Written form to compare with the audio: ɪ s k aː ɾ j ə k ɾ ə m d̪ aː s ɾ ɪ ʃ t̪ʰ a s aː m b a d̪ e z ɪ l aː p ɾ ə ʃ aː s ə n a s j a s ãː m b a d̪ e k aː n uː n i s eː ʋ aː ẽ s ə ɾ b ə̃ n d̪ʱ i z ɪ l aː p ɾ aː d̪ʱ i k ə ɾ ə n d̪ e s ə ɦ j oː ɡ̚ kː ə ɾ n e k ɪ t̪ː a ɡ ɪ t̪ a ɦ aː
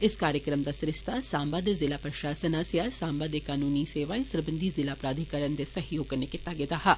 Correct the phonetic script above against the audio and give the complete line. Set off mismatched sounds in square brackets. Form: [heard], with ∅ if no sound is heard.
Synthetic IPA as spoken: ɪ s k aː ɾ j ə k ɾ ə m d̪ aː s ɾ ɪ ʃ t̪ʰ a s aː m b a d̪ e z ɪ l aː p ɾ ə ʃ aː s ə n a s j a s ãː m b a d̪ e k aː n uː n i s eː ʋ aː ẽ s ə ɾ b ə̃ n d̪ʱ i z ɪ l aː p ɾ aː d̪ʱ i k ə ɾ ə n d̪ e s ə ɦ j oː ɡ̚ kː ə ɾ n e k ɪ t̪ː a ɡ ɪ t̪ a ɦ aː